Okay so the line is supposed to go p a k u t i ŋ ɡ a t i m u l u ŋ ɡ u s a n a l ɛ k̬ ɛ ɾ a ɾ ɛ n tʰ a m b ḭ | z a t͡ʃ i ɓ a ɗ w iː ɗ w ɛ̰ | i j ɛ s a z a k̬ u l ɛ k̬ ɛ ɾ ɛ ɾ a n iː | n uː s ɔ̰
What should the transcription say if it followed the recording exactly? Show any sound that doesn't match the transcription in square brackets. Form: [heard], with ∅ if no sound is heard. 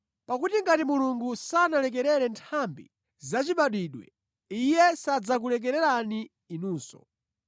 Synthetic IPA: p a k u t i ŋ ɡ a t i m u l u ŋ ɡ u s a n a l ɛ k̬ ɛ ɾ [ɛ] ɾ ɛ n tʰ a m b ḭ | z a t͡ʃ i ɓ a ɗ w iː ɗ w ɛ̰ | i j ɛ s a [d͡z] a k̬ u l ɛ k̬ ɛ ɾ ɛ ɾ a n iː | n uː s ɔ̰